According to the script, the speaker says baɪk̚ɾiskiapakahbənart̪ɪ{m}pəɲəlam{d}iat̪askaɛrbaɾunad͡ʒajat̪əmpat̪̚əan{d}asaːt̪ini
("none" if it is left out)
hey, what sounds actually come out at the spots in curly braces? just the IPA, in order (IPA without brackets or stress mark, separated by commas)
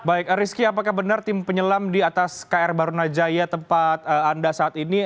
m, d, d